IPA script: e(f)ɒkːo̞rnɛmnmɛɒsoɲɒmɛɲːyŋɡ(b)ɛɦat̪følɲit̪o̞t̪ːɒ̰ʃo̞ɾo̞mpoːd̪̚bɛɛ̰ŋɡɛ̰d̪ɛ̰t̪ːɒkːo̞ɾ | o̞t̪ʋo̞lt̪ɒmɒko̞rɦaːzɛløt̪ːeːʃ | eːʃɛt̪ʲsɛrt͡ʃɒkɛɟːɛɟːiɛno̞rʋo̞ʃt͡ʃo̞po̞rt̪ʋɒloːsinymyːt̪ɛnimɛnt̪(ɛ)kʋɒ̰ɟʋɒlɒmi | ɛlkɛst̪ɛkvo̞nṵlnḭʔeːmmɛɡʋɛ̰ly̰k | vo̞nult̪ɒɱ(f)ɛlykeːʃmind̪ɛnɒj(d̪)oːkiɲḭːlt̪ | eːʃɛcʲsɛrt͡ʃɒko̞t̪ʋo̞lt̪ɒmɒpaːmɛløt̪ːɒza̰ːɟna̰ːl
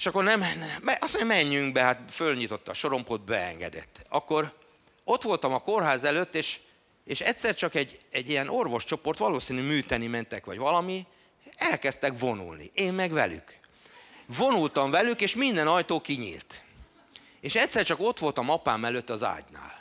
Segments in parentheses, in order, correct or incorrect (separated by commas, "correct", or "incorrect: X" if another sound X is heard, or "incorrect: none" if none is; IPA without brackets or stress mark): incorrect: ʃ, correct, correct, incorrect: v, incorrect: t̪